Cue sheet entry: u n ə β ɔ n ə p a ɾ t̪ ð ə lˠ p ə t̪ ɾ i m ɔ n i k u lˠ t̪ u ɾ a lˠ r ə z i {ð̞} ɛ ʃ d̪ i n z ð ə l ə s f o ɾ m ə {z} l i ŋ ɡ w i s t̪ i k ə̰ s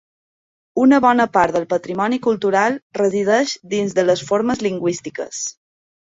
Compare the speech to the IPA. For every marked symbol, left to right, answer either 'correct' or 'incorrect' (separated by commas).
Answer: correct, correct